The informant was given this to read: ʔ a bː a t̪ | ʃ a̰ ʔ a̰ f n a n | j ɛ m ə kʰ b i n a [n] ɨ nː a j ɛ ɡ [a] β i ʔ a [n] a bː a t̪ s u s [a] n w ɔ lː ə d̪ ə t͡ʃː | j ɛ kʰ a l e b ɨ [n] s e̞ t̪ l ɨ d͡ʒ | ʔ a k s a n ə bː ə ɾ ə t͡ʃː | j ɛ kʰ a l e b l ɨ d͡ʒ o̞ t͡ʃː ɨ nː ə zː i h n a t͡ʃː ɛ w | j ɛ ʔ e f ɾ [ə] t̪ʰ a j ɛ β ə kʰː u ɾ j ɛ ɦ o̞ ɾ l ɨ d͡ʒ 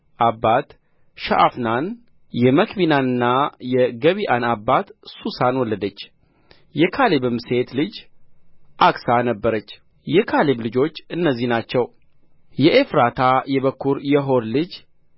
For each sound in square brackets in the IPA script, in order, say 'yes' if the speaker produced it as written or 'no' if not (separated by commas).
yes, no, yes, yes, no, no